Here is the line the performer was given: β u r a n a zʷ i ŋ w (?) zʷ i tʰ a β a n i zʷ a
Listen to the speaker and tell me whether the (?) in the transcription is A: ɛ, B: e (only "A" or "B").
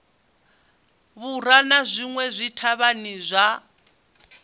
A